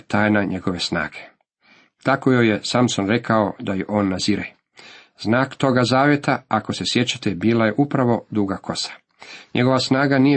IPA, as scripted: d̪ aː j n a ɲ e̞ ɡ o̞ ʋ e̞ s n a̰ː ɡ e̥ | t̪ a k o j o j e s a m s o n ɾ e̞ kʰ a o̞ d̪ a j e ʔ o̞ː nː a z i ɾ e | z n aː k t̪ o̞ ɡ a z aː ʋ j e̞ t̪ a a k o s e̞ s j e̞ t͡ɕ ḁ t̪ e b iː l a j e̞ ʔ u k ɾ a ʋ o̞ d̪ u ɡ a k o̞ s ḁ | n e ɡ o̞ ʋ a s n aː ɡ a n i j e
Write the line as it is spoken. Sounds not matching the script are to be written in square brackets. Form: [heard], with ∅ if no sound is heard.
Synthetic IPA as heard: [t̪] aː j n a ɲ e̞ ɡ o̞ ʋ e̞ s n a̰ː ɡ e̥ | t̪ a k o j o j e s a m s o n ɾ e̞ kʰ a o̞ d̪ a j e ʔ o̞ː nː a z i ɾ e | z n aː k t̪ o̞ ɡ a z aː ʋ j e̞ t̪ a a k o s e̞ s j e̞ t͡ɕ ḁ t̪ e b iː l a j e̞ ʔ u [p] ɾ a ʋ o̞ d̪ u ɡ a k o̞ s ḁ | [ɲ] e ɡ o̞ ʋ a s n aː ɡ a n i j e